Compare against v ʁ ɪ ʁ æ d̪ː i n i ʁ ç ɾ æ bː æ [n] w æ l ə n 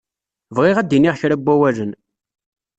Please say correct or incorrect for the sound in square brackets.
incorrect